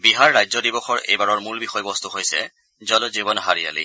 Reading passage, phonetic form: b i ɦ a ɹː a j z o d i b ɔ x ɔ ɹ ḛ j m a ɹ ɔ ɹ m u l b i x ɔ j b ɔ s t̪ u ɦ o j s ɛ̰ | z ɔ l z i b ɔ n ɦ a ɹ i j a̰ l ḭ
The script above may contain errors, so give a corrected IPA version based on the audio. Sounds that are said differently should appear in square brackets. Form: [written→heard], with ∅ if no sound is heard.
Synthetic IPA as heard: b i ɦ a ɹː a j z [o→ɔ] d i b ɔ x ɔ ɹ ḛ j [m→b] a ɹ ɔ ɹ m u l b i x ɔ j b ɔ s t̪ u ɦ o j s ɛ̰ | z ɔ l z i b ɔ n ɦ a ɹ i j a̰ l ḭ